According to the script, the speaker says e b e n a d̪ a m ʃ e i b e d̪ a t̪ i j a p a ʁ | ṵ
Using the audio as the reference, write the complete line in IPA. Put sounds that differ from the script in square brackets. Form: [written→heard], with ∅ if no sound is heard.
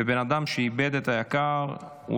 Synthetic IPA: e b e n a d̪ a m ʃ e i b e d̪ [a→e] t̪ [i→a] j a [p→k] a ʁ | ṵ

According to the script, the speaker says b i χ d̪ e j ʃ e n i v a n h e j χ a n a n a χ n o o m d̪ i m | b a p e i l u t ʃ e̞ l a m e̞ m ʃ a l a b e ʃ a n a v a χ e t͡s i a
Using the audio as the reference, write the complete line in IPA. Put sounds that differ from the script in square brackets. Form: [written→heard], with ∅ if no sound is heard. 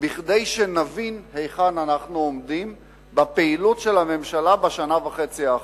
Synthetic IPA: b i χ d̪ e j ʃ e n [i→a] v [a→i] n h e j χ a n a n a χ n [o→u] o m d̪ i m | b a p e i l u t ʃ e̞ l a m e̞ m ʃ a l a b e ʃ a n a v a χ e t͡s i a

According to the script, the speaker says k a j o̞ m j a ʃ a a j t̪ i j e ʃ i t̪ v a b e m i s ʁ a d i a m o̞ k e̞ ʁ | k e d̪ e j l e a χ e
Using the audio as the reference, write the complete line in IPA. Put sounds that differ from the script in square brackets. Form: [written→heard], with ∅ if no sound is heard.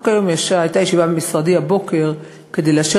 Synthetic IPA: k a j o̞ m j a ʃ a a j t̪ [i→a] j e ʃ i [t̪→∅] v a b e m i s ʁ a d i a [m→b] o̞ k e̞ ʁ | k e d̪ e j l e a [χ→ʃ] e

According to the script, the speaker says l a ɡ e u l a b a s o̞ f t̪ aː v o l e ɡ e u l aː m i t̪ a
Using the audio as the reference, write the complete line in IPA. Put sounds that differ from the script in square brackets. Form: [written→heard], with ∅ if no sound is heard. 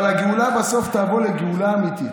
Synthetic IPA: l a ɡ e u l a b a s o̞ f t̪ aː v o l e ɡ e u l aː m i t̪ [a→i]

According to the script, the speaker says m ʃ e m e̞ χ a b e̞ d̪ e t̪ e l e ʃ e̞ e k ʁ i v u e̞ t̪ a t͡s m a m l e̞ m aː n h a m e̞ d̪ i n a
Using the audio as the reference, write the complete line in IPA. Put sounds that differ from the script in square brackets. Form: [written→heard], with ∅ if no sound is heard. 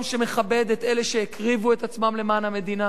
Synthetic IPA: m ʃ e m e̞ χ a b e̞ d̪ e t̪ e l e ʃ e̞ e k ʁ i v u e̞ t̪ a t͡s m a m l e̞ m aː n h a m e̞ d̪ i n a

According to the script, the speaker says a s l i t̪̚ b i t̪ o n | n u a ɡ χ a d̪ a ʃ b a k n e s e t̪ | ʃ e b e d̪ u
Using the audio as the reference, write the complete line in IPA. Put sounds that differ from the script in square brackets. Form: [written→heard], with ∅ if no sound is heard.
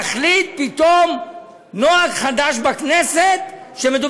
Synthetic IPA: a [s→χ] l i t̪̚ [b→p] i t̪ o [n→m] | n [u→o] a ɡ χ a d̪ a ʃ b a k n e s e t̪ | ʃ e [b→m] e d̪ u

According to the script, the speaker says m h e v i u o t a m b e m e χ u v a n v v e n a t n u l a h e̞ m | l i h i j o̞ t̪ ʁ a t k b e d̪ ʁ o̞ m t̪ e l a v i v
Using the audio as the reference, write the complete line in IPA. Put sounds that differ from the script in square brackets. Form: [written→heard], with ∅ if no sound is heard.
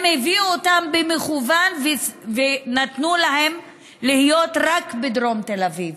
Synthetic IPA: m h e v i u o t a m b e m e χ u v a n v v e n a t n u l a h e̞ m | l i h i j o̞ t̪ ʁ a [t→∅] k b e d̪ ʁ o̞ m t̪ e l a v i v

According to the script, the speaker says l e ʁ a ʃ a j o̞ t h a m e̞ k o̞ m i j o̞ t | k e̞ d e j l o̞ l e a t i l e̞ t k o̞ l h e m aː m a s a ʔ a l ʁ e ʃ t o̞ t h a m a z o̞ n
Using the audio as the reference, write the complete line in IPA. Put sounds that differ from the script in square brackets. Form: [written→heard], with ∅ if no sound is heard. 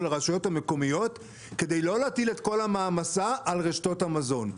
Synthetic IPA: l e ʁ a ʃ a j o̞ t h a m e̞ k o̞ m i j o̞ t | k e̞ d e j l o̞ l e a t i l e̞ t k o̞ l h [e→a] m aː m a s a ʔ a l ʁ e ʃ t o̞ t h a m a z o̞ n

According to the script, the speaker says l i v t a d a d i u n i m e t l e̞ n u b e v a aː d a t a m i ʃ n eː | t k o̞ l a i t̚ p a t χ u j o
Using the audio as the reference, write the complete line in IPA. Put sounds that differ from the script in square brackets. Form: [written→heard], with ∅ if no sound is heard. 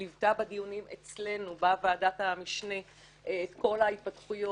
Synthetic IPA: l i v t a [d→b] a d i u n i m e [t→t͡s] l e̞ n u b [e→a] v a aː d a t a m i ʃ n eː | t k o̞ l a i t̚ p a t χ u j o

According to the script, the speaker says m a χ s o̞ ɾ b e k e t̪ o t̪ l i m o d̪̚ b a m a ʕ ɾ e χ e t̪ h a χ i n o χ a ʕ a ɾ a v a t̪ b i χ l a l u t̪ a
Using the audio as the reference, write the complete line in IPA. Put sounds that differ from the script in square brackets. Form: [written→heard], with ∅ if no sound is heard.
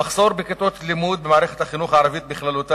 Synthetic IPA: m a χ s o̞ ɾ b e k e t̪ o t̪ l i m [o→u] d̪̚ b [a→e] m a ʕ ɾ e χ e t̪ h a χ i n [o→u] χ a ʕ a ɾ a v [a→i] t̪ b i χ l a l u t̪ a

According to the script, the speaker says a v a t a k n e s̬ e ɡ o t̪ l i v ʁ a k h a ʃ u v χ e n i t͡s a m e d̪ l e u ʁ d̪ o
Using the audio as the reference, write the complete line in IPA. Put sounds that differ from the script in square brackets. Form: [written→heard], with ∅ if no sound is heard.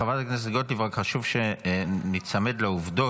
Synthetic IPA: a v a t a k n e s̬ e ɡ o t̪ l i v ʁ a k [h→χ] a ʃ u v [χ→ʃ] e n i t͡s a m e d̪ l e u [ʁ→v] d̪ o

